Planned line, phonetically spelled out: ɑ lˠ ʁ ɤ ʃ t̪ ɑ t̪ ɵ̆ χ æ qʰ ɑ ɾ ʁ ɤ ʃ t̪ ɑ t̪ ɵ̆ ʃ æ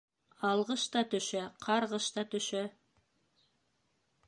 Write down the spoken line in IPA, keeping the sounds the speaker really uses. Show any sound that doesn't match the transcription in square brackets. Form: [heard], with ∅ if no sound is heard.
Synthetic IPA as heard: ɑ lˠ ʁ ɤ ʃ t̪ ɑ t̪ ɵ̆ [ʃ] æ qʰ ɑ ɾ ʁ ɤ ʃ t̪ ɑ t̪ ɵ̆ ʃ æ